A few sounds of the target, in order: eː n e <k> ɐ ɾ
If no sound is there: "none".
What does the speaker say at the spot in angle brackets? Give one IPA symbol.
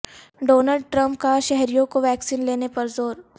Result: p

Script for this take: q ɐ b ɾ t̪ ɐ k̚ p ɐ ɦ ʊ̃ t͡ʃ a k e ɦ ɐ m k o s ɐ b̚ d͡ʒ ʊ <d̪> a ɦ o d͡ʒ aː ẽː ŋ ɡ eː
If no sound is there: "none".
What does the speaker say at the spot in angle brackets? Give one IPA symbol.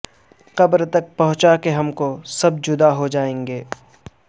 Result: d̪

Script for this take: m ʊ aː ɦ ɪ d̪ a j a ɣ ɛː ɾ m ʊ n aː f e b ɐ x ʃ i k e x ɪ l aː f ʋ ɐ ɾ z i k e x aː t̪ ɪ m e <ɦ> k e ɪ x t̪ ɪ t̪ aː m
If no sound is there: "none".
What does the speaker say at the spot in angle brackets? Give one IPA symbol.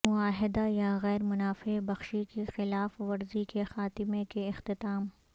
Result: none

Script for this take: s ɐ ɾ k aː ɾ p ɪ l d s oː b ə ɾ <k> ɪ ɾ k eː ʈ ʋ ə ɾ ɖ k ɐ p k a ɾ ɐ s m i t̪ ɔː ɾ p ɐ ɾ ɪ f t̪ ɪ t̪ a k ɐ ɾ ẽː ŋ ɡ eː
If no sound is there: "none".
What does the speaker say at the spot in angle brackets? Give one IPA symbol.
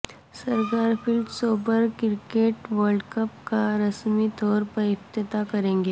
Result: k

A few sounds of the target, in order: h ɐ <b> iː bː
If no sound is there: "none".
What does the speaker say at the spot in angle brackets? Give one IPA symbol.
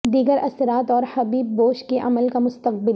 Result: b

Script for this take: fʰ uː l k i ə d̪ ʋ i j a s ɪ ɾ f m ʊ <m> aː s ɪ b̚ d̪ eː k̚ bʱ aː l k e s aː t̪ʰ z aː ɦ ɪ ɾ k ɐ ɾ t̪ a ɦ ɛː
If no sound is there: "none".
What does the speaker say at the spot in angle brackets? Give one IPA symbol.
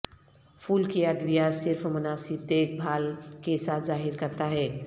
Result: n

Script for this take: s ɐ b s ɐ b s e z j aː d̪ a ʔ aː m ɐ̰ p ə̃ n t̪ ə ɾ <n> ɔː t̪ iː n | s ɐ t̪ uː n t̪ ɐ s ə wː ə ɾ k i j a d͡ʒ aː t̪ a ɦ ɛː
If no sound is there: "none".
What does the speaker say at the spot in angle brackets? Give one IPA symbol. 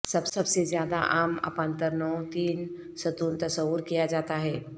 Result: n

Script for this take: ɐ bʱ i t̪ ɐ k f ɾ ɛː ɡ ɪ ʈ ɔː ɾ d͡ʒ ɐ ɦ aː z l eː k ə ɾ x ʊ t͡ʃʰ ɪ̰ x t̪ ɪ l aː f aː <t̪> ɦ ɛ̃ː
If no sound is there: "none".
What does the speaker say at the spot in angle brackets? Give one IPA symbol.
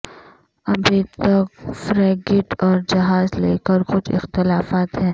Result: t̪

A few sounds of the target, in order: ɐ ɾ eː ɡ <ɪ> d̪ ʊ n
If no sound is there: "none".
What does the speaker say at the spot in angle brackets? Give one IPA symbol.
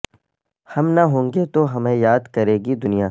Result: i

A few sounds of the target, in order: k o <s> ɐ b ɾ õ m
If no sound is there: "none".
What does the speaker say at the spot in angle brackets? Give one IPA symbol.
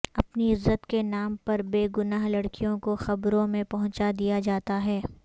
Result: x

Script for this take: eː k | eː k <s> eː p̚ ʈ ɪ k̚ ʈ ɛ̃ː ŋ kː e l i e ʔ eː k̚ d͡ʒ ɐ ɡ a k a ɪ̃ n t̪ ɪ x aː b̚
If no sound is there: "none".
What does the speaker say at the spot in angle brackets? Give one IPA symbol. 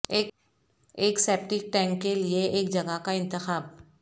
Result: s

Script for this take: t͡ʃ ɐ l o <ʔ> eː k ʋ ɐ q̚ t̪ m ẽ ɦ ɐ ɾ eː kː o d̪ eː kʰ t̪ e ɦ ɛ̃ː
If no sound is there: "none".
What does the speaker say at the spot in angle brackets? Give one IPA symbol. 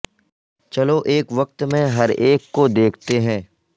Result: ʔ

